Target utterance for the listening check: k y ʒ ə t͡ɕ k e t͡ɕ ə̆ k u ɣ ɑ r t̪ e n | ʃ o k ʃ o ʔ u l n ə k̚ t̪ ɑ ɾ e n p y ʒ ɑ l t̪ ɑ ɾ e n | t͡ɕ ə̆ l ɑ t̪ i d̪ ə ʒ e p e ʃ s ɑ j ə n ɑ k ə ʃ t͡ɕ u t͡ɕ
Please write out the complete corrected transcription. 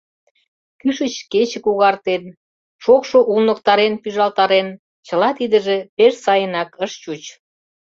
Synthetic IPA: k y ʃ ə t͡ɕ k e t͡ɕ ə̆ k u ɣ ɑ r t̪ e n | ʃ o k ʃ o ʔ u l n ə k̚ t̪ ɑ ɾ e n p y ʒ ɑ l t̪ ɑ ɾ e n | t͡ɕ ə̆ l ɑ t̪ i d̪ ə ʒ e p e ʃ s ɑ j ə n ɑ k ə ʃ t͡ɕ u t͡ɕ